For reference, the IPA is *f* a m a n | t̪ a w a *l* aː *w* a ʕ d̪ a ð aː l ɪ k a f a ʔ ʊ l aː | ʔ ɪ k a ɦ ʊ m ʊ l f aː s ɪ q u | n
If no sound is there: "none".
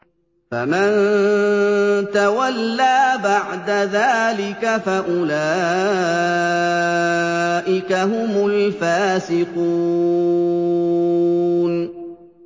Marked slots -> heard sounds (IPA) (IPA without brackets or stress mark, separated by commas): f, lː, b